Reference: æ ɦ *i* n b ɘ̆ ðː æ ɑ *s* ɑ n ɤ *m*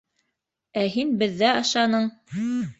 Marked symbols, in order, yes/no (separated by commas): yes, no, no